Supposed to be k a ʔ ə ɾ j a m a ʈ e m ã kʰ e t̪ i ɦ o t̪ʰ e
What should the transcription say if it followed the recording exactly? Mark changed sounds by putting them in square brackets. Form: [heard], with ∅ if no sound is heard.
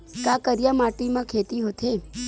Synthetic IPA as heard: k a [k] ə ɾ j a m a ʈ [i] m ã kʰ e t̪ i ɦ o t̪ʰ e